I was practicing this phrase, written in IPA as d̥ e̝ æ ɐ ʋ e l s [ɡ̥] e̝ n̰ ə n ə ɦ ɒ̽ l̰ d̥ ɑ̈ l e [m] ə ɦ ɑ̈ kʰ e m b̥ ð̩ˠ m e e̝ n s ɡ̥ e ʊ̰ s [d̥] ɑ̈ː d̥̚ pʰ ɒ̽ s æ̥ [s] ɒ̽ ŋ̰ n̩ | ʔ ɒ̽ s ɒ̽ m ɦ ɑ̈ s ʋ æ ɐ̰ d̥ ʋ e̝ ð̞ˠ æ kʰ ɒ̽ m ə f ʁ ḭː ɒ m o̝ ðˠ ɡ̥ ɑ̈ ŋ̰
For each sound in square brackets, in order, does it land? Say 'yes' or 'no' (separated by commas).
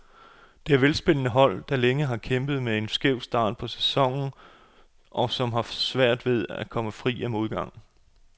no, no, yes, yes